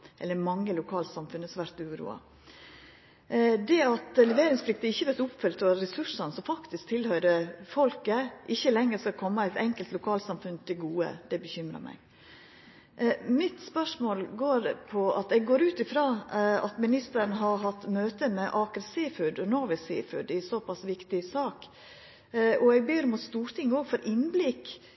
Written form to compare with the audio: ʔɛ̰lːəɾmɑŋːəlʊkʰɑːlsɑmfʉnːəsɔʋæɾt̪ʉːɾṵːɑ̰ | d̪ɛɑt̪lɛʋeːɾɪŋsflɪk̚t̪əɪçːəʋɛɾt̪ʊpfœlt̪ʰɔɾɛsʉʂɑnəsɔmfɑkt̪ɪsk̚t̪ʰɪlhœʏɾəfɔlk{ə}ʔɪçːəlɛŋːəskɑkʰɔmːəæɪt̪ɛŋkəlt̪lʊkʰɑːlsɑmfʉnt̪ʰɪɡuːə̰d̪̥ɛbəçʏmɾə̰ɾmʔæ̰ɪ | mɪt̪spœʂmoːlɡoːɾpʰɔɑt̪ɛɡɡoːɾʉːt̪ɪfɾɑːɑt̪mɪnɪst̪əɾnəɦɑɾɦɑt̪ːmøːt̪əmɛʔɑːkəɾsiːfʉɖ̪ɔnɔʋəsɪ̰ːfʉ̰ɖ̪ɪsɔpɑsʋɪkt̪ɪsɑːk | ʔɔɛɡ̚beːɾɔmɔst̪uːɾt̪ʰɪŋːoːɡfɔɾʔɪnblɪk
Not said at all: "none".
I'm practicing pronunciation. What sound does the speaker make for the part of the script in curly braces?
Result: ə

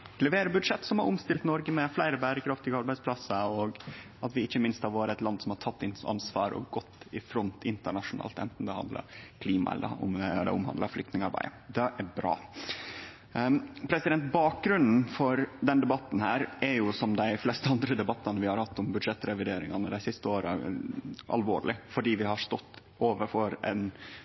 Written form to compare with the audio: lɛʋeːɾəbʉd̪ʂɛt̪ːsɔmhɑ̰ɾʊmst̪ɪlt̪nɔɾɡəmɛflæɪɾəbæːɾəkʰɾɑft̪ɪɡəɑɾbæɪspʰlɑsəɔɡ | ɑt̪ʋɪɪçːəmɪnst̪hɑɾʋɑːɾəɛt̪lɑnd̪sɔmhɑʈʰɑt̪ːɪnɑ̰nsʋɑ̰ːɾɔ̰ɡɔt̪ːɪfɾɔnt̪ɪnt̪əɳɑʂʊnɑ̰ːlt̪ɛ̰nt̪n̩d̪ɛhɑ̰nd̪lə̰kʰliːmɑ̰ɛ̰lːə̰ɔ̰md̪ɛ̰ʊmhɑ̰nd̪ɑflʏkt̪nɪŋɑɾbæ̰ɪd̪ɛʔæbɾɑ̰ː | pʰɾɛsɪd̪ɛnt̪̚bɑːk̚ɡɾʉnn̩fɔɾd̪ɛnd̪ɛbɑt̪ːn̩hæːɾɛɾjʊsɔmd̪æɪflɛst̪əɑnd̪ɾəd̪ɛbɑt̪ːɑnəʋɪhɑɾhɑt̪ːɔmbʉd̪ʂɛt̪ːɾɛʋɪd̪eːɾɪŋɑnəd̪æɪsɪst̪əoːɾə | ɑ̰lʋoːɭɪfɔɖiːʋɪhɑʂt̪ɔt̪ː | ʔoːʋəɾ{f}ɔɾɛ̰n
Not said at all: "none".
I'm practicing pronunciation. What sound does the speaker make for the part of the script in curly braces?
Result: f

